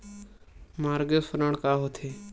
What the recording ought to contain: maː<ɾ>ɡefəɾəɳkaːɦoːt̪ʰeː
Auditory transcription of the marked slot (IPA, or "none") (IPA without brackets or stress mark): ɾ